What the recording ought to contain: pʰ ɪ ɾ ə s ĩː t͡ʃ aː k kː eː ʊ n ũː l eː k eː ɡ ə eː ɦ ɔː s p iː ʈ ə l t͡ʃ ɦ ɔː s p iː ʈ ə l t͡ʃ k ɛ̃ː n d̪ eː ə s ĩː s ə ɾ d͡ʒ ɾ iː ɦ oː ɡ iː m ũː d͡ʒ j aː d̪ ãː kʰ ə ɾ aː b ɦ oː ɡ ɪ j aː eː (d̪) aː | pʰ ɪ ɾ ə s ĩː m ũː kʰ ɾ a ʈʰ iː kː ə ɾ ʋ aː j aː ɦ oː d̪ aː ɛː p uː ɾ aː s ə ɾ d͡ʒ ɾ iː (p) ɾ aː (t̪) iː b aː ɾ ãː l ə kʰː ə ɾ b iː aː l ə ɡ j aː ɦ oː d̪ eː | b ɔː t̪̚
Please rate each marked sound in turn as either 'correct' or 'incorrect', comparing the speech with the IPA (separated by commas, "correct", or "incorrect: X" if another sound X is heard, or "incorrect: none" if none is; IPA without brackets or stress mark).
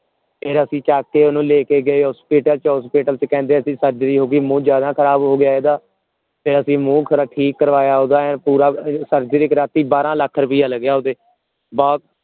correct, incorrect: k, correct